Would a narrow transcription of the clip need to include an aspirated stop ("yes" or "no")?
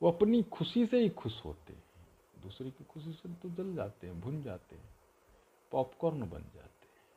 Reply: yes